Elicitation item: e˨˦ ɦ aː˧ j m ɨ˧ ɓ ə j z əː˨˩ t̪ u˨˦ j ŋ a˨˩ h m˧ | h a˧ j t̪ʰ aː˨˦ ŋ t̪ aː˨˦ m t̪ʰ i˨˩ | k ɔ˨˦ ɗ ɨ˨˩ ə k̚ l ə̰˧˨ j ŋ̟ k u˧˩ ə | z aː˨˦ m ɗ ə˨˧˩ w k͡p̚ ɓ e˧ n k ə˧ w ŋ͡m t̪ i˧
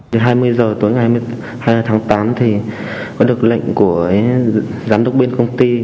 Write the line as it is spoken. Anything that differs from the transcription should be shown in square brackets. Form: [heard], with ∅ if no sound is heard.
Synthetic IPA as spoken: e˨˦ ɦ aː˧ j m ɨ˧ [∅] ə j z əː˨˩ t̪ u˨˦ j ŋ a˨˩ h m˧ | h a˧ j t̪ʰ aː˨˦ ŋ t̪ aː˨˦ m t̪ʰ i˨˩ | k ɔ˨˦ ɗ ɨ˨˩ ə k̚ l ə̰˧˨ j ŋ̟ k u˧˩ ə | z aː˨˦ m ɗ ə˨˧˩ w k͡p̚ ɓ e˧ n k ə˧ w ŋ͡m t̪ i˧

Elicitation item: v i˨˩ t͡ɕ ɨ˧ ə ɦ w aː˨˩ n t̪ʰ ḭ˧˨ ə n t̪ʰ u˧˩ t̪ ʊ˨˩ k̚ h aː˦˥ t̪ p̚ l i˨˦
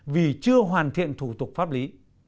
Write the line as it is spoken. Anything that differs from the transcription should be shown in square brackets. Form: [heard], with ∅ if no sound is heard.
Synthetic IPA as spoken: v i˨˩ t͡ɕ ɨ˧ ə ɦ w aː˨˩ n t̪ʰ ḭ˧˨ ə n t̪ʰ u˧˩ t̪ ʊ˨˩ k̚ [f] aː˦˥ [∅] p̚ l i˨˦

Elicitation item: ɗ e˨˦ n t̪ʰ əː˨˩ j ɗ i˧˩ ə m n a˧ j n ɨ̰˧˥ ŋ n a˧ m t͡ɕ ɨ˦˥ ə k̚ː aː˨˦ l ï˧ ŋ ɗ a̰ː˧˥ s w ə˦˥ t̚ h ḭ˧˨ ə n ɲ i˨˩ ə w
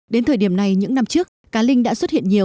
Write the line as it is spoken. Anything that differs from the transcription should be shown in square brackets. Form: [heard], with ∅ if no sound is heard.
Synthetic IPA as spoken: ɗ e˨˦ n t̪ʰ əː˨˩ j ɗ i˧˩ ə m n [a˨˩] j [ɲ] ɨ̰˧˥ ŋ n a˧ m t͡ɕ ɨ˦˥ ə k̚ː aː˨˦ l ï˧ ŋ ɗ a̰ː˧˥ s w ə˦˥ t̚ h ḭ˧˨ ə n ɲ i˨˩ ə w

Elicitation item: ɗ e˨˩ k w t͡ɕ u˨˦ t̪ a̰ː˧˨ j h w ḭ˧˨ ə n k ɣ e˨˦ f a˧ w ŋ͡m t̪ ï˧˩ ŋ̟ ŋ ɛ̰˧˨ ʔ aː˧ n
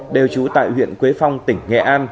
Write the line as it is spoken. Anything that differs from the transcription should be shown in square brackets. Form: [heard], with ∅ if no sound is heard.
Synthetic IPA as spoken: ɗ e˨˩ [∅] w t͡ɕ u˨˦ t̪ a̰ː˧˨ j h w ḭ˧˨ ə n k [w] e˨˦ f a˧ w ŋ͡m t̪ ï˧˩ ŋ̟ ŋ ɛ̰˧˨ ʔ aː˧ n

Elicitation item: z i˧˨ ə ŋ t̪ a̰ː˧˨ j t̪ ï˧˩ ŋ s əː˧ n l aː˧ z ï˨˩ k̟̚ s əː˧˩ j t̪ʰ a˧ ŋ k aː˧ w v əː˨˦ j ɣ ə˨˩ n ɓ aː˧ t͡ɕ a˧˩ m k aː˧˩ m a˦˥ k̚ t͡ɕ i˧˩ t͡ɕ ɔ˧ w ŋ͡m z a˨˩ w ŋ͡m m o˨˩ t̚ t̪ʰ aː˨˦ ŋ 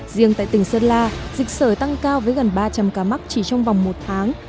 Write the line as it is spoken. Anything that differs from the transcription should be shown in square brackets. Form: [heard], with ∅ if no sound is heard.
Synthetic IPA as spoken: z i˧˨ ə ŋ t̪ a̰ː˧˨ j t̪ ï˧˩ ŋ s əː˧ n l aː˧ z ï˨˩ k̟̚ s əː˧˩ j [t̪] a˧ ŋ k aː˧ w v əː˨˦ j ɣ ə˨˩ n ɓ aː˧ t͡ɕ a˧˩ m k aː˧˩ m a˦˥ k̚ t͡ɕ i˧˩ t͡ɕ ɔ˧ w ŋ͡m [v] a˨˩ w ŋ͡m m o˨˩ t̚ t̪ʰ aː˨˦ ŋ

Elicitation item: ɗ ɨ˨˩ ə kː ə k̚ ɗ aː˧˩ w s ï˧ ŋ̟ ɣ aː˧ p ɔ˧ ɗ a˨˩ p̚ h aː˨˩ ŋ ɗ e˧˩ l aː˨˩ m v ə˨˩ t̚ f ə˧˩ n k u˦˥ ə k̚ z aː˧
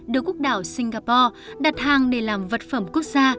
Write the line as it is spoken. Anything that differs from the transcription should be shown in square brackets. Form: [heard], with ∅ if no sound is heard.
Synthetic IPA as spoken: ɗ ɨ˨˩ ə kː ə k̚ ɗ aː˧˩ w s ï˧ ŋ̟ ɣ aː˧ p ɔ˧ ɗ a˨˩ [t̚] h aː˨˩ ŋ ɗ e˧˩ l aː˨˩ m v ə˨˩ t̚ f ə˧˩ [m] k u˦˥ ə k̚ z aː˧

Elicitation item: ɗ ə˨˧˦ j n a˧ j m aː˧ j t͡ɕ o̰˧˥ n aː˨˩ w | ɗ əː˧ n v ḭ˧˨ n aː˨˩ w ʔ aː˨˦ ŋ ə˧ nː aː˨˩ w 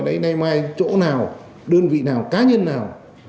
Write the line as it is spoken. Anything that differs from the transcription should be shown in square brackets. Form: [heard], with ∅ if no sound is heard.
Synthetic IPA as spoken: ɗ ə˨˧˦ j n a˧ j m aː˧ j t͡ɕ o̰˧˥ n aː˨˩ w | ɗ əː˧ n v ḭ˧˨ n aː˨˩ w [k] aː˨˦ [ɲ] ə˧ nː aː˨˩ w

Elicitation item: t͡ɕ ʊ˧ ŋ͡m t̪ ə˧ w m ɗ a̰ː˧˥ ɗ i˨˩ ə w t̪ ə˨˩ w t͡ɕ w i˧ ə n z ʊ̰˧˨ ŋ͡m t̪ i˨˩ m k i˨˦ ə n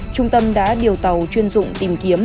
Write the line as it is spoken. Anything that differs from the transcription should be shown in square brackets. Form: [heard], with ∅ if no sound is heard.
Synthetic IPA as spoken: t͡ɕ ʊ˧ ŋ͡m t̪ ə˧ [∅] m ɗ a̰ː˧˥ ɗ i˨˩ ə w t̪ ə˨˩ w t͡ɕ w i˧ ə n z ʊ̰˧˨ ŋ͡m t̪ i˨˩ m k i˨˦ ə [m]

